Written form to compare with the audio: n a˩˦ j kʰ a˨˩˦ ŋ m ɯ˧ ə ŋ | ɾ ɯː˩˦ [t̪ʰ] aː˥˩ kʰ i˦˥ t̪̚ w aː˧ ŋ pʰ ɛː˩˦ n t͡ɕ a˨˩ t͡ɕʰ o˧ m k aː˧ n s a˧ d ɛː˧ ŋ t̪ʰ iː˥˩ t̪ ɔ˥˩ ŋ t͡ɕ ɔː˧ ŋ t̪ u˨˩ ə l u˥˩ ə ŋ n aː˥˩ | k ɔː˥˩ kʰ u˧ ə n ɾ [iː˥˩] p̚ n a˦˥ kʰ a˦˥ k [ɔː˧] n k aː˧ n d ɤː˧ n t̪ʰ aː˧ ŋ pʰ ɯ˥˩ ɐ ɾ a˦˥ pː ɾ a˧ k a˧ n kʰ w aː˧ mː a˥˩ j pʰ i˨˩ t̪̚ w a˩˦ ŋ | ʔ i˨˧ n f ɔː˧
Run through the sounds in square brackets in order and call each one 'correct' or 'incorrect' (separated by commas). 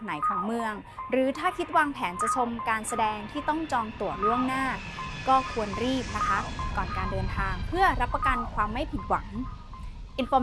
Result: correct, correct, incorrect